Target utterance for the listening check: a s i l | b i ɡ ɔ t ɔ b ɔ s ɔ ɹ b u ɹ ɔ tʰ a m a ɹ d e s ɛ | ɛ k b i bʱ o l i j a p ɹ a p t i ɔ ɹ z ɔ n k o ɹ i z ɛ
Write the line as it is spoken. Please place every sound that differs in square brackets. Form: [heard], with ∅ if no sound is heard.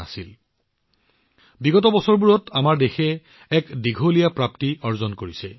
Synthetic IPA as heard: a s i l | b i ɡ ɔ t ɔ b ɔ s ɔ ɹ b u ɹ ɔ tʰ a m a ɹ d e [x] ɛ | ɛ k [d] i [ɡʱ] o l i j a p ɹ a p t i ɔ ɹ z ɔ n k o ɹ i [s] ɛ